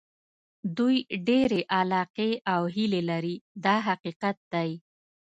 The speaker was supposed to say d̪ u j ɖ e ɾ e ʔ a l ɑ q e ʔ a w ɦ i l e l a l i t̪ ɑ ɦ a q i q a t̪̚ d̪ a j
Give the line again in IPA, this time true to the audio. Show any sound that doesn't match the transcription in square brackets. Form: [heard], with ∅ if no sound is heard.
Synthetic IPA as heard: d̪ u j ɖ e ɾ e ʔ a l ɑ q e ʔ a w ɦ i l e l a [ɾ] i [d̪] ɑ ɦ a q i q a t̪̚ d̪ a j